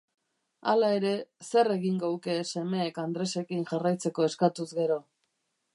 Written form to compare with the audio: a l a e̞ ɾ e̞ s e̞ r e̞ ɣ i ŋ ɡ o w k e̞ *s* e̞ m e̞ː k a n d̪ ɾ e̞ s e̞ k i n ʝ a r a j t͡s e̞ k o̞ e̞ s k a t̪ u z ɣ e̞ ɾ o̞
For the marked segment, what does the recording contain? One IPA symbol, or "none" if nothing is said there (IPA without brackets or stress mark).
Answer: s